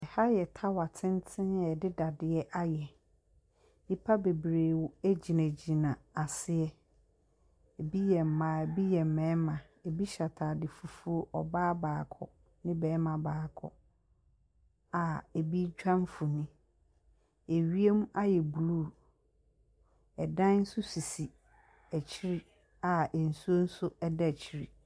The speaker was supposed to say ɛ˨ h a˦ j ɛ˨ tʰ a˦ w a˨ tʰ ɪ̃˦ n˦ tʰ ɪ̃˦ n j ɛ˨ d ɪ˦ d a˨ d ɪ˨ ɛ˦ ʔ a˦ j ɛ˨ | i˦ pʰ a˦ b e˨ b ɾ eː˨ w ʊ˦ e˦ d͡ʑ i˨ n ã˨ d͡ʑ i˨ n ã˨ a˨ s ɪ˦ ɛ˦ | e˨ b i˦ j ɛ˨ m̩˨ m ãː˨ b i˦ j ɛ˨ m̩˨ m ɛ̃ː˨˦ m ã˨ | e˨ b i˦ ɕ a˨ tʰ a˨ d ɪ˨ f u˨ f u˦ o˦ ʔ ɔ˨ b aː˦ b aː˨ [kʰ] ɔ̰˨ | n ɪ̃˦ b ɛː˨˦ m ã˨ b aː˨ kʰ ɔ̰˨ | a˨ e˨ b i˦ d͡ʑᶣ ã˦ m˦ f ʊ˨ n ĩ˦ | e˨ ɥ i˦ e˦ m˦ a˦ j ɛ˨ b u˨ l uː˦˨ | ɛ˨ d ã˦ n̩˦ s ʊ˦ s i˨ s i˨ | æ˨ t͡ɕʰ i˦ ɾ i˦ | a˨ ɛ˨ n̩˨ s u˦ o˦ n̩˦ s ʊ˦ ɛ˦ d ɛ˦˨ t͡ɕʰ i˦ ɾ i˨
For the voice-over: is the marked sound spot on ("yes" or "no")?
yes